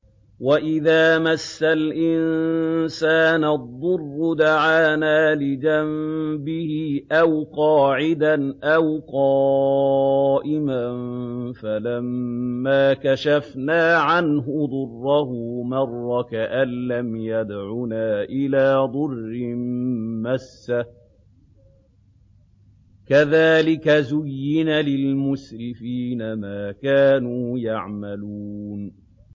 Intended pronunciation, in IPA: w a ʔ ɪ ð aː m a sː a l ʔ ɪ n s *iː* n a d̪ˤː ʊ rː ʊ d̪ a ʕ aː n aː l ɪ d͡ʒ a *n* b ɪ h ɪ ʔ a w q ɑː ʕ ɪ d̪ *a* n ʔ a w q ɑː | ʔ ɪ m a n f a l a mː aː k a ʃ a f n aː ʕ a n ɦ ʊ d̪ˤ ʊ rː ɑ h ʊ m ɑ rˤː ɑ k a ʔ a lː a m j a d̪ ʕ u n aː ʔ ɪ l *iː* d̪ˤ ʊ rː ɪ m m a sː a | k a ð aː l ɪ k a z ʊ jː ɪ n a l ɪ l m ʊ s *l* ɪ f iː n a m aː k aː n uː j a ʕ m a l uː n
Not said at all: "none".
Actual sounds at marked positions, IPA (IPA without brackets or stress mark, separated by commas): aː, m, a, aː, ɾ